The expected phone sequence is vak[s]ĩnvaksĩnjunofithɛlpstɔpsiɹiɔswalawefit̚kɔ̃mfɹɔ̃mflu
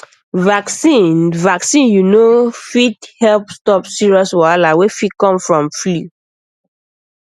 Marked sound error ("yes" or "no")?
no